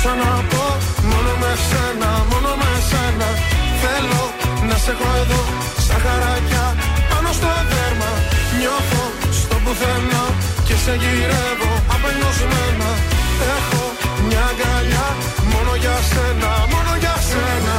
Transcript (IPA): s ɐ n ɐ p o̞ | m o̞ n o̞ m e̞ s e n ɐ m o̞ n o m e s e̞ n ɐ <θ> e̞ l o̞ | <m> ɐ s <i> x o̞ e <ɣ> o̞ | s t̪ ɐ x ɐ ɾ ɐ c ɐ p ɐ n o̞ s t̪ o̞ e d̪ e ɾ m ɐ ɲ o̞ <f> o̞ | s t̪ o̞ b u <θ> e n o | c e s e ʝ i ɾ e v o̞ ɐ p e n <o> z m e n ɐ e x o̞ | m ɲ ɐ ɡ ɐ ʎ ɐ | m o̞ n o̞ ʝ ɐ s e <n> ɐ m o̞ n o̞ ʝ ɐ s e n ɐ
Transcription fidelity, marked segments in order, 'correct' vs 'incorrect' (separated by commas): correct, incorrect, incorrect, incorrect, incorrect, correct, correct, correct